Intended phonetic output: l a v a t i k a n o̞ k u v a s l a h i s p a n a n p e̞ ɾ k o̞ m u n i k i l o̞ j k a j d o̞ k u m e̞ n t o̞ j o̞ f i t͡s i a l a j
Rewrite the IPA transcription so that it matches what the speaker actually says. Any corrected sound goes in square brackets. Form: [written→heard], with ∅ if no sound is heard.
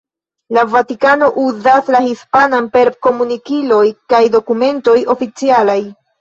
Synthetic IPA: l a v a t i k a n o̞ [k→ʔ] u [v→z] a s l a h i s p a n a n p e̞ ɾ k o̞ m u n i k i l o̞ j k a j d o̞ k u m e̞ n t o̞ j o̞ f i t͡s i a l a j